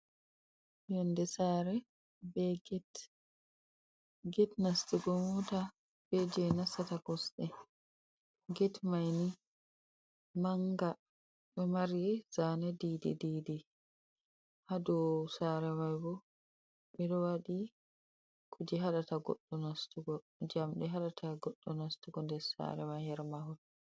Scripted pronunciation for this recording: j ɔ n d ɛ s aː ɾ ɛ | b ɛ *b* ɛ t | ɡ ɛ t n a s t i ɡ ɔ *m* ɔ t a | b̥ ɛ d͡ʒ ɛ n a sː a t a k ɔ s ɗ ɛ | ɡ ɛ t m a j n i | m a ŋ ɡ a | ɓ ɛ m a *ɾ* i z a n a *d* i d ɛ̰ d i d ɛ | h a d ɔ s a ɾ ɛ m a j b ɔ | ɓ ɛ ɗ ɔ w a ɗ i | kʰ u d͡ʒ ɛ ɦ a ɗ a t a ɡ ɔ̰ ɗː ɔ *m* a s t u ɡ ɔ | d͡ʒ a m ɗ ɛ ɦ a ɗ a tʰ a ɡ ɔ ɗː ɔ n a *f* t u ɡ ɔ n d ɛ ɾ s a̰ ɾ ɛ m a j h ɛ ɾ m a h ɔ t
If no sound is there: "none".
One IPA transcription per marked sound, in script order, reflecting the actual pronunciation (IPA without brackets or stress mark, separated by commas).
ɡ, m, ɾ, d, n, s